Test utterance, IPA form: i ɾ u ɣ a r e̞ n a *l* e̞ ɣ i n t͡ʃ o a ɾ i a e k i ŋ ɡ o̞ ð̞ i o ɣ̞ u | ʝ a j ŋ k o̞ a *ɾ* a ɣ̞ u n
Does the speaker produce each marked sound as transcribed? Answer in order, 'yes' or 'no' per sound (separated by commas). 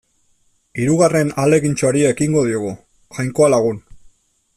yes, no